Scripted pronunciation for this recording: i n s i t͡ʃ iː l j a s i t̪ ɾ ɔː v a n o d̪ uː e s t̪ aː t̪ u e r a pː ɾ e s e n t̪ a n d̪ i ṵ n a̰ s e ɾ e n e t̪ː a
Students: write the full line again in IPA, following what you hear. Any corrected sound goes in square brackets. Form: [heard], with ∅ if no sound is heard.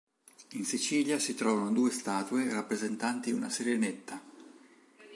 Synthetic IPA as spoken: i n s i t͡ʃ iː l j a s i t̪ ɾ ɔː v a n o d̪ uː e s t̪ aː t̪ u e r a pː ɾ e [z] e n t̪ a n [t̪] i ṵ n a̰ s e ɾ e n e t̪ː a